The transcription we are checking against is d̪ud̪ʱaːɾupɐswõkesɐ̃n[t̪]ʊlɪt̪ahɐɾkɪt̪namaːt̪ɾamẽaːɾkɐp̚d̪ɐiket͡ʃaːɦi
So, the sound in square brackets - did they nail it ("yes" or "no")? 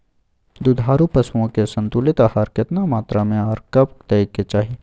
yes